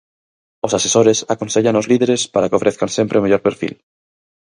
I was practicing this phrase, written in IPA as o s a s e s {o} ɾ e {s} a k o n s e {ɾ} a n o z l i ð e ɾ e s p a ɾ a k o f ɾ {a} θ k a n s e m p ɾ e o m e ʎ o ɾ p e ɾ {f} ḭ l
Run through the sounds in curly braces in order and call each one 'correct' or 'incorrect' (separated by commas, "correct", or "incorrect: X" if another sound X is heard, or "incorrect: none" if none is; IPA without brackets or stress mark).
correct, correct, incorrect: ʎ, incorrect: e, correct